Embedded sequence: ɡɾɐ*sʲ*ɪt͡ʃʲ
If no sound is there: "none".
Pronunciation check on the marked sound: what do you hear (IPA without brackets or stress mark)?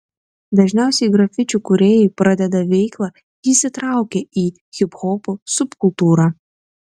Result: fʲ